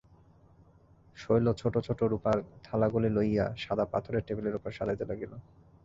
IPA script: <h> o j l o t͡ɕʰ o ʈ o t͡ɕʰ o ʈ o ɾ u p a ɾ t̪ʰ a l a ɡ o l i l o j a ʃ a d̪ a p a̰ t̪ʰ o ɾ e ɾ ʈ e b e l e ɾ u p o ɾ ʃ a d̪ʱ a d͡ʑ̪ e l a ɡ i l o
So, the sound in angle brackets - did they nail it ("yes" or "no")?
no